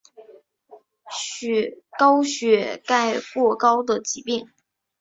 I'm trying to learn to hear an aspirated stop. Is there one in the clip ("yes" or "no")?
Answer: no